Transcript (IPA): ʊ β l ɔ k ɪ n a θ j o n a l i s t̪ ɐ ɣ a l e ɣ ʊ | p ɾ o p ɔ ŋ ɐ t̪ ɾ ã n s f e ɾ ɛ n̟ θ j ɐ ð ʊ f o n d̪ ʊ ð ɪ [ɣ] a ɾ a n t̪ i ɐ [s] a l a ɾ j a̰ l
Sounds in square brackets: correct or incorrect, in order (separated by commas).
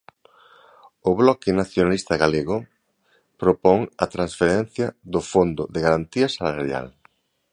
correct, correct